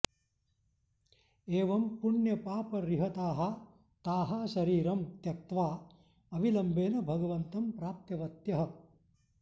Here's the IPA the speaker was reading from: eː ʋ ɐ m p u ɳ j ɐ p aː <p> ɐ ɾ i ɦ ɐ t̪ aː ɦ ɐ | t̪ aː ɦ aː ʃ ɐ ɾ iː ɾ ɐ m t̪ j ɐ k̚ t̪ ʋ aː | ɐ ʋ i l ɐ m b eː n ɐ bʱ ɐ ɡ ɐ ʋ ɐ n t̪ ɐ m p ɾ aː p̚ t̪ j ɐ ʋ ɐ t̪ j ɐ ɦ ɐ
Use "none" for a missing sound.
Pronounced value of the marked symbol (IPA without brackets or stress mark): p